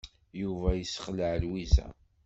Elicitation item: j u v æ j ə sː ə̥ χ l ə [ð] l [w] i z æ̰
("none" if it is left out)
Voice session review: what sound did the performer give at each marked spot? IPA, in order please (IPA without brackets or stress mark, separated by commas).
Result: ʕ, w